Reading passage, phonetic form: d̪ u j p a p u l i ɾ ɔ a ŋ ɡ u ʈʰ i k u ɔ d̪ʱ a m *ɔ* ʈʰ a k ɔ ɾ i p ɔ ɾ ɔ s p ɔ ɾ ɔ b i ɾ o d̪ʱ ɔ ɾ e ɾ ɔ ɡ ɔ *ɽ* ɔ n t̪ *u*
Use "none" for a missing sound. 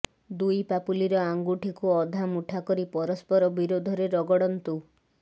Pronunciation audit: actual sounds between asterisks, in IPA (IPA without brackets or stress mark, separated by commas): u, ɽ, u